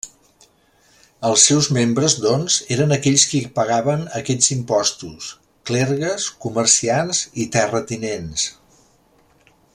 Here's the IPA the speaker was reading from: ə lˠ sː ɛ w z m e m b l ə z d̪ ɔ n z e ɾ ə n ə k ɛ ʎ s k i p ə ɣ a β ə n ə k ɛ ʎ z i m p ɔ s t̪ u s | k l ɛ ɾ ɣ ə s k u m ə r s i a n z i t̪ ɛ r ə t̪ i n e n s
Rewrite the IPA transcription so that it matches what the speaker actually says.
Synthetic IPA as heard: ə lˠ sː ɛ w z m e m b ɾ ə z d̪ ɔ n z e ɾ ə n ə k ɛ ʎ s k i p ə ɣ a β ə n ə k ɛ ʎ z i m p ɔ s t̪ u s | k l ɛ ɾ ɣ ə s k u m ə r s i a n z i t̪ ɛ r ə t̪ i n e n s